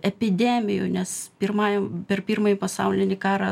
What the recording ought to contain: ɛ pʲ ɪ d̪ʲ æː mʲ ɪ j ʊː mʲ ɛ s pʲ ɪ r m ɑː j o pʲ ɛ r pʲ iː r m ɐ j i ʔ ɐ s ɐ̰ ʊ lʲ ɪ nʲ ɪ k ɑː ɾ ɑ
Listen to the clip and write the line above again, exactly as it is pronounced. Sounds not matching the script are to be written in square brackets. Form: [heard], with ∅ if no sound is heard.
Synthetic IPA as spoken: ɛ pʲ ɪ d̪ʲ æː mʲ ɪ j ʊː [nʲ] ɛ s pʲ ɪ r m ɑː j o pʲ ɛ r pʲ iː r m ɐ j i [p] ɐ s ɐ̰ ʊ lʲ ɪ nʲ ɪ k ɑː ɾ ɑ